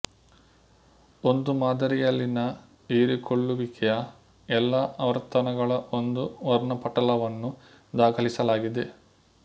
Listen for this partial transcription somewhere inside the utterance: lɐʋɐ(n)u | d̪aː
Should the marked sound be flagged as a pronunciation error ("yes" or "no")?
yes